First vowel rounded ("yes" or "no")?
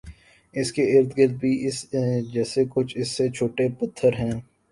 no